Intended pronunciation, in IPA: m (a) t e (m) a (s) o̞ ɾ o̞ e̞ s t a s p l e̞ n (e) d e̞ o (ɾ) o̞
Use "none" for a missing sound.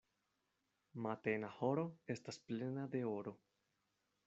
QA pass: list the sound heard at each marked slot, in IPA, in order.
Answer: a, n, h, a, ɾ

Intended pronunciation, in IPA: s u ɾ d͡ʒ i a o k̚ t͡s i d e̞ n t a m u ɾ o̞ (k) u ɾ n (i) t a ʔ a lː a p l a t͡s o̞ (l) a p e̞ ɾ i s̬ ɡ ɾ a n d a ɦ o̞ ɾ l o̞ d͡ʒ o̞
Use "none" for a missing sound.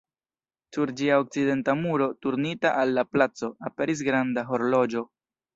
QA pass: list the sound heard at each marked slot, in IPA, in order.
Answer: t, i, none

